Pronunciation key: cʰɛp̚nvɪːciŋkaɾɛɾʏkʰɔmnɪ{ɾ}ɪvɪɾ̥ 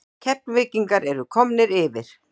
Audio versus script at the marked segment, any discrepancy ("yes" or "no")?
no